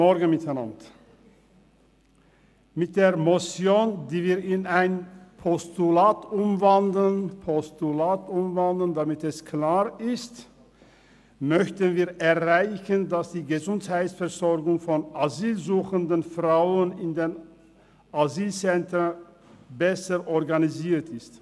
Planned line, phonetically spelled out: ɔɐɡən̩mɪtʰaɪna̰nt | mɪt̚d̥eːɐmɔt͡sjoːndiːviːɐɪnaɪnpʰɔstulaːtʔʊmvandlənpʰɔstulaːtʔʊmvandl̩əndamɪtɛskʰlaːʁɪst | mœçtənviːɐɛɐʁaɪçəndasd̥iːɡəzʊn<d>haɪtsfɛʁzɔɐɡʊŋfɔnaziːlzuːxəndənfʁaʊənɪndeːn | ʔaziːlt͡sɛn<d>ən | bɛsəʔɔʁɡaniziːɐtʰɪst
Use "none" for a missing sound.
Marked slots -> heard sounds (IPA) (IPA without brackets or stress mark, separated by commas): t, t